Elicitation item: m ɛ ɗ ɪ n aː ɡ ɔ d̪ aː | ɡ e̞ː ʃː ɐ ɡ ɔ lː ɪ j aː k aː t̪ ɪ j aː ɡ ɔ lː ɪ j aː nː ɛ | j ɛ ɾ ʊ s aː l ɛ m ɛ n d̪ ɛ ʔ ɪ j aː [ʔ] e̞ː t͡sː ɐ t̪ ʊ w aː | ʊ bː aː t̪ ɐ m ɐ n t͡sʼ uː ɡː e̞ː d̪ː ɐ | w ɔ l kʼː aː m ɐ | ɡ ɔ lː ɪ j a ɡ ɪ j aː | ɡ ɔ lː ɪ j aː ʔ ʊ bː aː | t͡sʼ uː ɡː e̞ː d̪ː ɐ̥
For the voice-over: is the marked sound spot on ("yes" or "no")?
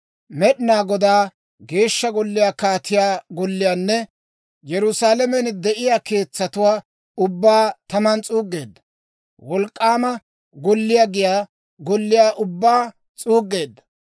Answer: no